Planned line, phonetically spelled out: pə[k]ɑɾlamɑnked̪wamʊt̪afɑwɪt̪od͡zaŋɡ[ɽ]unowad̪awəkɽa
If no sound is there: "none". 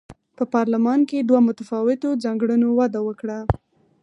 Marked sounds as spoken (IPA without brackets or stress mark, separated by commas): p, ɽ